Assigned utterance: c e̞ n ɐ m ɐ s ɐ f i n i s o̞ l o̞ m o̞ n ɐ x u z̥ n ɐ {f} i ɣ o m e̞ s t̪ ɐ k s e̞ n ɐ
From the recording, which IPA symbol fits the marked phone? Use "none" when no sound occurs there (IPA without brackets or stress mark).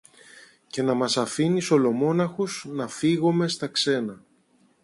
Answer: f